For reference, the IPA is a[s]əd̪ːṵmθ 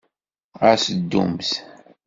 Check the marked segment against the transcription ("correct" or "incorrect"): correct